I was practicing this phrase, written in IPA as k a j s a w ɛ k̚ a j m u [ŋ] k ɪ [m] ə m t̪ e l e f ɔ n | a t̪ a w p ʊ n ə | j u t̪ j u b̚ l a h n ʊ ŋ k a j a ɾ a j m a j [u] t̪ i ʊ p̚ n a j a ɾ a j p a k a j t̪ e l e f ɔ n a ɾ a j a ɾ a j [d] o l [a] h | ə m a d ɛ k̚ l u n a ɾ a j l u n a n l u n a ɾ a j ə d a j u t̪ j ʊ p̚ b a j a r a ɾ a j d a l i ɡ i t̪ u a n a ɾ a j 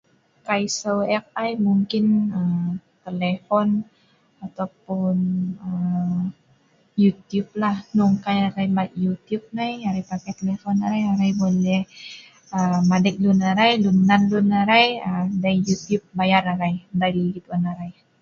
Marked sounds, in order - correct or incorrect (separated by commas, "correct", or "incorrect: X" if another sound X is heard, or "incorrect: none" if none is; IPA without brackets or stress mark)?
correct, incorrect: n, correct, incorrect: b, incorrect: ɛ